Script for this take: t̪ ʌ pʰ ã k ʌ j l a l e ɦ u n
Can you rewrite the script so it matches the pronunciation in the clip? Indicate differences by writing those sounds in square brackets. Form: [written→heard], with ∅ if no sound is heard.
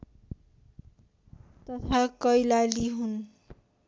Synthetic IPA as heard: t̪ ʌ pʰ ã k ʌ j l a l [e→i] ɦ u n